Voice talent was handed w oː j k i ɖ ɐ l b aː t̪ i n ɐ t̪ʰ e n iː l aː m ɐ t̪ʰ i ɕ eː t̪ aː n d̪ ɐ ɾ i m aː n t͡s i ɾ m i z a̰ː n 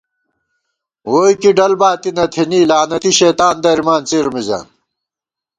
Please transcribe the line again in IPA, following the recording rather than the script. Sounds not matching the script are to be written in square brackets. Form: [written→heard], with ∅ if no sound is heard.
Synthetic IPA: w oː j k i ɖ ɐ l b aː t̪ i n ɐ t̪ʰ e n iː l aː [m→n] ɐ [t̪ʰ→t̪] i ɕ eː t̪ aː n d̪ ɐ ɾ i m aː n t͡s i ɾ m i z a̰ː n